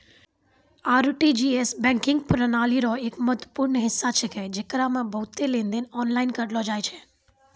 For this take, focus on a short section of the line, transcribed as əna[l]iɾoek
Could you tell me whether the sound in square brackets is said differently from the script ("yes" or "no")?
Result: no